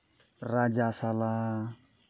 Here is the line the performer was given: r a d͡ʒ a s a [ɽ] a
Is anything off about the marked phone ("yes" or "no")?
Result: yes